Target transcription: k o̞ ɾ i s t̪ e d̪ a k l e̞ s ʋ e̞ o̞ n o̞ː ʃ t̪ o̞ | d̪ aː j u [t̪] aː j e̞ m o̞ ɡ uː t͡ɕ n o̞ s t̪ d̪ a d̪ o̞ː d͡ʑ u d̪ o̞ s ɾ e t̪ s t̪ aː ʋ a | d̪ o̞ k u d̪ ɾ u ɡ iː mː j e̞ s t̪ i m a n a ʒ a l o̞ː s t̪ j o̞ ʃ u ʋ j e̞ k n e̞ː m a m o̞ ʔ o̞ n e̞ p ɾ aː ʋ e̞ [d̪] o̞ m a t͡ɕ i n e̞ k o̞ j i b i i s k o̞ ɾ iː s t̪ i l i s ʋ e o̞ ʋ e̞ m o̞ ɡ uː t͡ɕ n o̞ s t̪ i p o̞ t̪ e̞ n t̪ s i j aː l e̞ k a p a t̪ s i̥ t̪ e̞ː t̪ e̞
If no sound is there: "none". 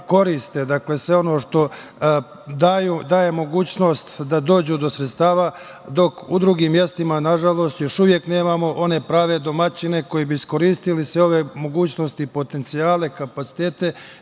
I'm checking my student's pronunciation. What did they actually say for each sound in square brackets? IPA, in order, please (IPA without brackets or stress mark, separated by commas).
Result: d̪, d̪